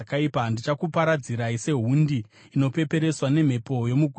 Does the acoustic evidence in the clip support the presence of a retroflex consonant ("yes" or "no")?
no